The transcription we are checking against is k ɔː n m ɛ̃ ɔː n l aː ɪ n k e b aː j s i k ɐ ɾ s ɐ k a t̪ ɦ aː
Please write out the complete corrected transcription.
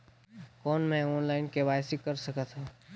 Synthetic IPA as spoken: k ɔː n m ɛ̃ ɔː n l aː ɪ n k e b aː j s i k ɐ ɾ s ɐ k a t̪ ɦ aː